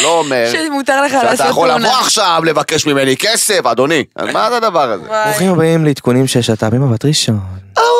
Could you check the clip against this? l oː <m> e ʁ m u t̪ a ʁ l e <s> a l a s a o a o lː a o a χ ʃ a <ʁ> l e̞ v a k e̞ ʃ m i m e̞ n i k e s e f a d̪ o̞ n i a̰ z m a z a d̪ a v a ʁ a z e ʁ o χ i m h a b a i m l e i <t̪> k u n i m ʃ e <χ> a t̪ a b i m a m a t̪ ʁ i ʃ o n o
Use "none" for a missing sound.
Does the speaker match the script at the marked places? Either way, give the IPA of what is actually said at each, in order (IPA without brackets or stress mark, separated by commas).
m, χ, v, t̪, ʃ